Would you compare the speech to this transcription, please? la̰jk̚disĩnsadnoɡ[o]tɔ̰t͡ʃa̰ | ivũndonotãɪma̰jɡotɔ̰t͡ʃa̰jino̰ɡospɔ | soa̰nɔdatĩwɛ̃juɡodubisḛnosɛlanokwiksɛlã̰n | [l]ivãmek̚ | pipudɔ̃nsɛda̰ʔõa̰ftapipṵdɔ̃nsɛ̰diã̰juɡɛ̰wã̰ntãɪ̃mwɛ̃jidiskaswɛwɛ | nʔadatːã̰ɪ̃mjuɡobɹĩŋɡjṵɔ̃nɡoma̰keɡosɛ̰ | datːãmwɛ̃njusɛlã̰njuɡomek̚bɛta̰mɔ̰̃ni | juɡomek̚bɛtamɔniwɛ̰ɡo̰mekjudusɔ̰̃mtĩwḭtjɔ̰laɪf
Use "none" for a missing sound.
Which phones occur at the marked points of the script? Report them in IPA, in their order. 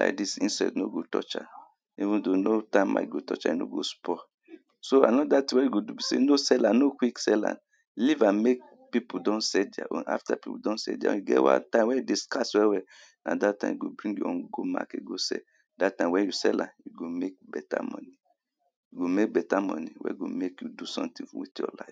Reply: o, l

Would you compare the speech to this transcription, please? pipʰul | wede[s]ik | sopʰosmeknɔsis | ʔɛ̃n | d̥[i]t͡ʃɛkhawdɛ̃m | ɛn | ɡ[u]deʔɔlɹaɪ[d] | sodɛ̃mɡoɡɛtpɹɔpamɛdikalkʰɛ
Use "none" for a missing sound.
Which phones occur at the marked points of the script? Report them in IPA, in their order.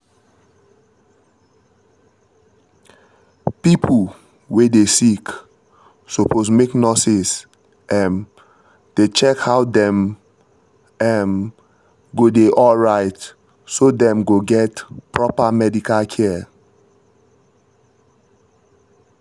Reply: s, e, o, t

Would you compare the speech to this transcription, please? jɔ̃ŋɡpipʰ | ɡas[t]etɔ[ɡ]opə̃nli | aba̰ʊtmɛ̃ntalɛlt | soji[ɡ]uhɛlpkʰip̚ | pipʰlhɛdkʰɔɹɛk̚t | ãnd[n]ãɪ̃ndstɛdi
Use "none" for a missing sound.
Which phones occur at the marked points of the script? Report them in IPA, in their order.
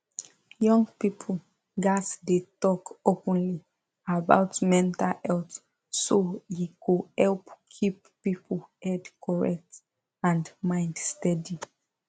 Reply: d, k, k, m

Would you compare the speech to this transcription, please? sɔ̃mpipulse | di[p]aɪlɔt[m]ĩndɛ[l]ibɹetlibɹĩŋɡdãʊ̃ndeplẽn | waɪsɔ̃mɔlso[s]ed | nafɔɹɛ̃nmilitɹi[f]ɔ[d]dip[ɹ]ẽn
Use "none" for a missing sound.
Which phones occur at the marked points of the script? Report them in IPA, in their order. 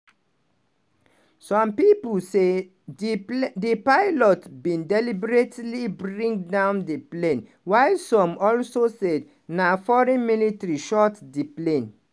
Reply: p, b, l, s, ʃ, t, l

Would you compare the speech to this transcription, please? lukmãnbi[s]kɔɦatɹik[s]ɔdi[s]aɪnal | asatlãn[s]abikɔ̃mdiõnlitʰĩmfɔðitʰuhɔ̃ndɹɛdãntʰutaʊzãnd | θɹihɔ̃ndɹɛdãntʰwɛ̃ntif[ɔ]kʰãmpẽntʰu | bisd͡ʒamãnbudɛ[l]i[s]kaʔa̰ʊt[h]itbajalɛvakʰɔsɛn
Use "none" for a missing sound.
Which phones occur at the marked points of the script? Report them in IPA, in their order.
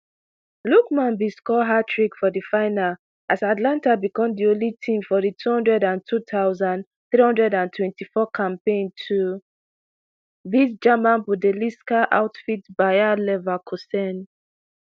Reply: s, f, f, t, ɔ, l, s, f

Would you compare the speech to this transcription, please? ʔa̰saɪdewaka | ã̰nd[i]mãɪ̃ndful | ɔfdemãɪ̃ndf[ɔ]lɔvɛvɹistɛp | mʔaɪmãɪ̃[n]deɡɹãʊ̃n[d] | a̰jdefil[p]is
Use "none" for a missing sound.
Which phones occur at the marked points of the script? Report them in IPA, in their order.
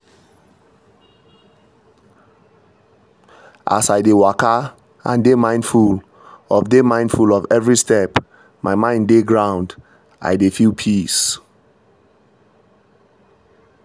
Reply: e, u, n, d, pʰ

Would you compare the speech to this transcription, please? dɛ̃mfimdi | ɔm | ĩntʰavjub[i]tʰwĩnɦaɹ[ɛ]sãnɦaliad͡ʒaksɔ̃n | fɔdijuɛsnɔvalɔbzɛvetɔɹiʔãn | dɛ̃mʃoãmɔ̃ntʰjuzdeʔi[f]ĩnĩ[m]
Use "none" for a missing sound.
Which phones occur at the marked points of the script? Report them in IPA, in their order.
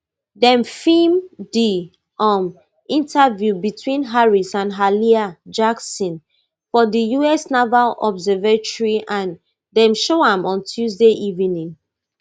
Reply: i, i, v, ŋ

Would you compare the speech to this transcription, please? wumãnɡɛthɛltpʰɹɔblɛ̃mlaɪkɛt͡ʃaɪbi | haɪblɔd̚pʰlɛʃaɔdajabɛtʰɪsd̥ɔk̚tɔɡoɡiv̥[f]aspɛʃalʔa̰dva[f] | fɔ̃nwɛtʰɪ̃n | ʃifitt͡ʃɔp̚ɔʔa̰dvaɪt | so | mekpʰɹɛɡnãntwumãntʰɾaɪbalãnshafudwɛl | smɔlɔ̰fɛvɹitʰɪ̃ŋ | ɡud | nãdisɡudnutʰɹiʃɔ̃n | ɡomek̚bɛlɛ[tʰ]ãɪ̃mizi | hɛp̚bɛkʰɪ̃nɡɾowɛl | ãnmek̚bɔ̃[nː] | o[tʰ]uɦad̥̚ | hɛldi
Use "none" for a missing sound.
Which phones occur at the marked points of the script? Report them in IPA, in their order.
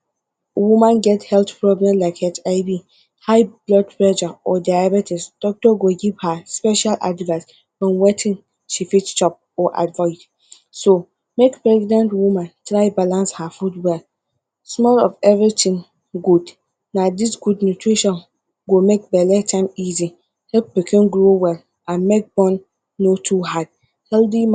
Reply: h, s, tʰ, nː, tʰ

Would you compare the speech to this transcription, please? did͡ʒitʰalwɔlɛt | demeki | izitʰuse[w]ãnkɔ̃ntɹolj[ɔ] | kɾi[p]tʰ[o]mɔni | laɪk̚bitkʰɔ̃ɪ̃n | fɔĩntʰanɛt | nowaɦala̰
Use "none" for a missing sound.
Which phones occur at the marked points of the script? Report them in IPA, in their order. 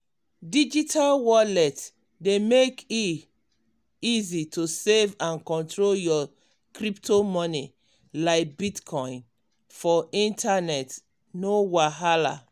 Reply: v, ɔ, p, o

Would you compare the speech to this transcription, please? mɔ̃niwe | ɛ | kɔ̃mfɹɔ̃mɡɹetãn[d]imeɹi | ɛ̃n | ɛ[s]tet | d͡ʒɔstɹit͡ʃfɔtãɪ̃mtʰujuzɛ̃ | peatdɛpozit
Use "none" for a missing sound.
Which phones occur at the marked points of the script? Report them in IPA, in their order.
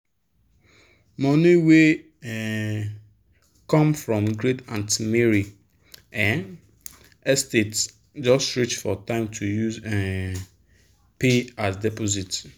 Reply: t, s

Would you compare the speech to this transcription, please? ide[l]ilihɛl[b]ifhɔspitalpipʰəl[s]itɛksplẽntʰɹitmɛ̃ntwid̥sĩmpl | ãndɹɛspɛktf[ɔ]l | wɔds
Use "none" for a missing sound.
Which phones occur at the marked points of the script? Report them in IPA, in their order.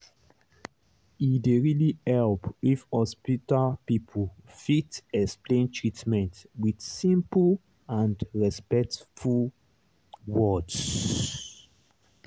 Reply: ɹ, p, f, u

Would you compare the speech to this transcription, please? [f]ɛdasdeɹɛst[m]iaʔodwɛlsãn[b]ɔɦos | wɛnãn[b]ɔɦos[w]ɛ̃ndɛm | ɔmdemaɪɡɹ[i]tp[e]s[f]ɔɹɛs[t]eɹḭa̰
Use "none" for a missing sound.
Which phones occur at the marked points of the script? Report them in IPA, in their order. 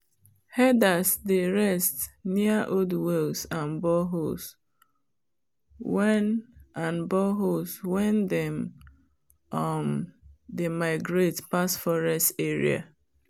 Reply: h, n, b, b, w, e, a, f, t

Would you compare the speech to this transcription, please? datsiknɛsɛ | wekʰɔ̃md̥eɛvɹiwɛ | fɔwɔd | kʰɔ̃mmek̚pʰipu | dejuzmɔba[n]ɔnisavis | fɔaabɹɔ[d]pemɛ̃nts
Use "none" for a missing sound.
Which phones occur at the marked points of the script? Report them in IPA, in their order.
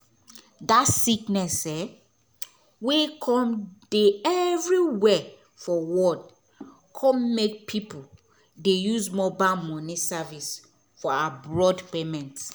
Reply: m, d

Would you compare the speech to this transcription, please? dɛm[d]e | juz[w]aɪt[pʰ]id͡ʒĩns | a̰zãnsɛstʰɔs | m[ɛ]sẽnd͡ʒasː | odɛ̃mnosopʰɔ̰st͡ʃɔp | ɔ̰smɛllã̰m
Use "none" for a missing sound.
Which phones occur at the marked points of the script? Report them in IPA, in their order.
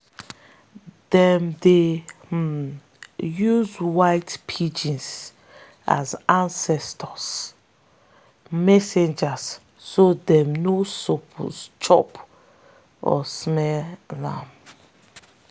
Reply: d, w, pʰ, ɛ

